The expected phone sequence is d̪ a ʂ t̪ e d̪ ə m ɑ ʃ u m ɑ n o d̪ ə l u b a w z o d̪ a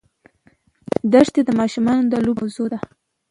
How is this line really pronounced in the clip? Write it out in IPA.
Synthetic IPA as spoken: d̪ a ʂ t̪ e d̪ ə m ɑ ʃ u m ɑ n o d̪ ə l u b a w z o d̪ a